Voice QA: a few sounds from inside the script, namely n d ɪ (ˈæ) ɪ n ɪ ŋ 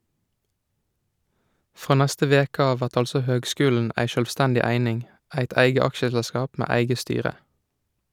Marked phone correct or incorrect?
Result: correct